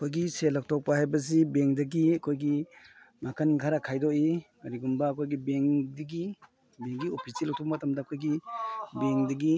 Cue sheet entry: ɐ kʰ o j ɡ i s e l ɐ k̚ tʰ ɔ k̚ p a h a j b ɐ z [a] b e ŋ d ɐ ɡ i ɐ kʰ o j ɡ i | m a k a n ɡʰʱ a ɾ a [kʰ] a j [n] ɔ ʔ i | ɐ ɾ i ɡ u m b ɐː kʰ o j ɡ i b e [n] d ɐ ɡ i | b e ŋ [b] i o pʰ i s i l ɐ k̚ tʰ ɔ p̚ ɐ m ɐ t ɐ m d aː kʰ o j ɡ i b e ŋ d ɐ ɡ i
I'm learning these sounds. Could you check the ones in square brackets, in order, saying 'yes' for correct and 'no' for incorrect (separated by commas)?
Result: no, yes, no, no, no